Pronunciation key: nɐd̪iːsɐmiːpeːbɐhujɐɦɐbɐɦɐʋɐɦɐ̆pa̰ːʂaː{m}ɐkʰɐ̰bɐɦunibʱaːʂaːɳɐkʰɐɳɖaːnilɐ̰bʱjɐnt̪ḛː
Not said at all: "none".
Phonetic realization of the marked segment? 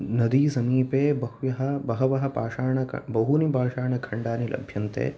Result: ɳ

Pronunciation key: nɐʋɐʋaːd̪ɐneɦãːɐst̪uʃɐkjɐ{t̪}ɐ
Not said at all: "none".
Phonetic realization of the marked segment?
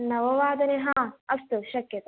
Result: t̪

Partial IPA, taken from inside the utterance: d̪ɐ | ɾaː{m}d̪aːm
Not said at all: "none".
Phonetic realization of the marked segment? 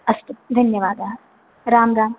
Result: m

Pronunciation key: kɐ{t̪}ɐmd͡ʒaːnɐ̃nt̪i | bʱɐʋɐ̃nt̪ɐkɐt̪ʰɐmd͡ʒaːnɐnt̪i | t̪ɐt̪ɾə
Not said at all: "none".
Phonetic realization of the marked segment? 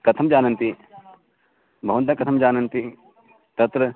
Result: t̪ʰ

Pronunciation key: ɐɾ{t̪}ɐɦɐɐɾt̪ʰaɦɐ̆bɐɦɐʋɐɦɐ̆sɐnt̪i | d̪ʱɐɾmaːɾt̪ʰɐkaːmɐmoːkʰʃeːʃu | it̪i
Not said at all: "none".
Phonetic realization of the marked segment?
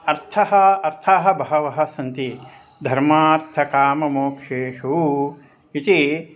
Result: t̪ʰ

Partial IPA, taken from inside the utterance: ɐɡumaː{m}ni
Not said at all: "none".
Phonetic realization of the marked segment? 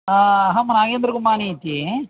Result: none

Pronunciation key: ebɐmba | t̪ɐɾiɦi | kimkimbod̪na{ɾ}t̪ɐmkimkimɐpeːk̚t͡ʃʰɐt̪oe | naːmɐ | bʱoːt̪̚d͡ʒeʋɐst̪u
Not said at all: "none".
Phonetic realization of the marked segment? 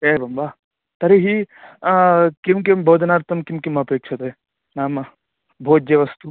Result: ɾ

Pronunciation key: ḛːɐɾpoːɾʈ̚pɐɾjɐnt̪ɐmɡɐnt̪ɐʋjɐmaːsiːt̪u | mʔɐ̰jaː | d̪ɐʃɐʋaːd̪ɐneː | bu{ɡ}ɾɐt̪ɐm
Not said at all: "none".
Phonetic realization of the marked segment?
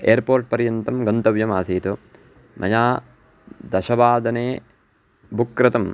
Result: k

